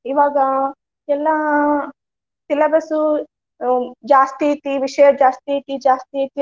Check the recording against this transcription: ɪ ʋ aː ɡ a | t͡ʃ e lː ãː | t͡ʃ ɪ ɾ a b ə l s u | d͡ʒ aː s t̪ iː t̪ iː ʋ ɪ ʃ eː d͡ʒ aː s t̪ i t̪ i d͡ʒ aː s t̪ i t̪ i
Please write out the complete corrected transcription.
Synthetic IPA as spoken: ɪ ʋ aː ɡ a | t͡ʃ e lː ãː | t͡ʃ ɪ l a b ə s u | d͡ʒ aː s t̪ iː t̪ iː ʋ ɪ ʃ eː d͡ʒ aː s t̪ i t̪ i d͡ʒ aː s t̪ i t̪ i